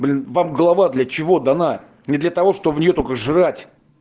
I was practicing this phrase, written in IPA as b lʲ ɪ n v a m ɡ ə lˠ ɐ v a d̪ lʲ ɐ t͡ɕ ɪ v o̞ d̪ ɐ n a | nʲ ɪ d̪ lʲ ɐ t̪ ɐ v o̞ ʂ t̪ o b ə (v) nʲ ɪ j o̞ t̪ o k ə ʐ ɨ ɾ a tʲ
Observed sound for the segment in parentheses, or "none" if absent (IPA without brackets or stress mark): v